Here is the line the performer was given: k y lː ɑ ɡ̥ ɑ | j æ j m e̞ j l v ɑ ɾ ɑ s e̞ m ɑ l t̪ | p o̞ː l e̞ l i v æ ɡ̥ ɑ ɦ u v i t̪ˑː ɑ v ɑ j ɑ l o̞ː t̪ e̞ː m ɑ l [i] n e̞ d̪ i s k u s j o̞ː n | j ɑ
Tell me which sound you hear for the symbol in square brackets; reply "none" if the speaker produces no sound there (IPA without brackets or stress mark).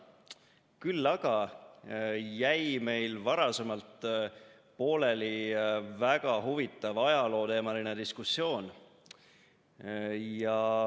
i